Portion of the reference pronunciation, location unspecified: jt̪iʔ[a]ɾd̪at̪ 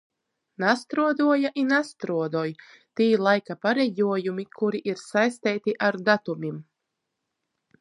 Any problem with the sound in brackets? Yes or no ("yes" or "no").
no